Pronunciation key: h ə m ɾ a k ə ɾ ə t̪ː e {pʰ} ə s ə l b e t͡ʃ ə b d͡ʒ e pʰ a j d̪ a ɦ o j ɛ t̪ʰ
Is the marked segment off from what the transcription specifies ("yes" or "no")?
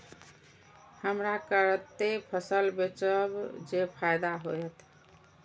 no